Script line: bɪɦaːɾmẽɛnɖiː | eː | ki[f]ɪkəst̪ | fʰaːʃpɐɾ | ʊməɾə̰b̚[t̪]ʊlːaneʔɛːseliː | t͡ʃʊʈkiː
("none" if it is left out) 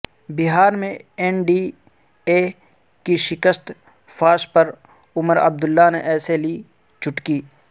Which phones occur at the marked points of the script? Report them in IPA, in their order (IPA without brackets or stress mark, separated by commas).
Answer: ʃ, d̪